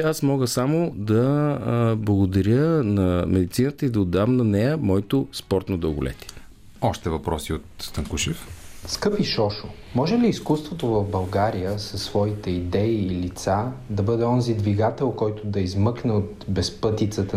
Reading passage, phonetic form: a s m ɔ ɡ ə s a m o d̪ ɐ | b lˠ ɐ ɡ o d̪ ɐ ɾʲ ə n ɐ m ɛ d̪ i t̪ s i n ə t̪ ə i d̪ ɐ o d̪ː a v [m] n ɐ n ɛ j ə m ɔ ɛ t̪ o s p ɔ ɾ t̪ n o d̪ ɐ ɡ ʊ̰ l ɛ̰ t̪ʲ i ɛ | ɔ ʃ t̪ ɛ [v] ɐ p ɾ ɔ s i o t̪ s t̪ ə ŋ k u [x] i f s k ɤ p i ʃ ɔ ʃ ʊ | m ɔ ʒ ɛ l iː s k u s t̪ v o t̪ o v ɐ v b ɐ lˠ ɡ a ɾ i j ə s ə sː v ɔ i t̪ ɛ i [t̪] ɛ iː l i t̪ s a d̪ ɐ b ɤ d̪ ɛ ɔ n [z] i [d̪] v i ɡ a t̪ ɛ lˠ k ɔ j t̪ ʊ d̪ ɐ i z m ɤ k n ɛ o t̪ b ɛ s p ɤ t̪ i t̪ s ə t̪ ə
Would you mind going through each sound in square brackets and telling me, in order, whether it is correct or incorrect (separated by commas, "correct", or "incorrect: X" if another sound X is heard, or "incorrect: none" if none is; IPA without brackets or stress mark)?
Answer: correct, correct, incorrect: ʃ, incorrect: d̪, correct, correct